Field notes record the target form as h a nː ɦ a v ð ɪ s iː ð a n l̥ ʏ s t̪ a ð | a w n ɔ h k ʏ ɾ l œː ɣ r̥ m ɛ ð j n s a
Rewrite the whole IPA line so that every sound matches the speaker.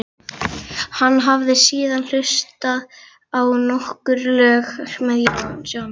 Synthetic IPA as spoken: h a nː ɦ a v ð ɪ s iː ð a n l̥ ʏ s t̪ a ð | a w n ɔ h k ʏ ɾ l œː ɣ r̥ m ɛ ð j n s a